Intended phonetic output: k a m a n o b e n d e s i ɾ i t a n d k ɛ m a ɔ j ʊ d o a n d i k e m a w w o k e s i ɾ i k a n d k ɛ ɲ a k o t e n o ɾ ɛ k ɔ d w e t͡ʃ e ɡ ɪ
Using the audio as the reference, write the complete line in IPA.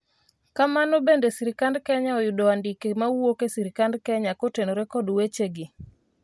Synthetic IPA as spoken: k a m a n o b e n d e s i ɾ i k a n d k ɛ ɲ a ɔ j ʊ d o a n d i k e m a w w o k e s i ɾ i k a n d k ɛ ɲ a k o t e n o ɾ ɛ k ɔ d w e t͡ʃ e ɡ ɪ